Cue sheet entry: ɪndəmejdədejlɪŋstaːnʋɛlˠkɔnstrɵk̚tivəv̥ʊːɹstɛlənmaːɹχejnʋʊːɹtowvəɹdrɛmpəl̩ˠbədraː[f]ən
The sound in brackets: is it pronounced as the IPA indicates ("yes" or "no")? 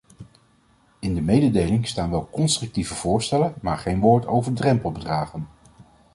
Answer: no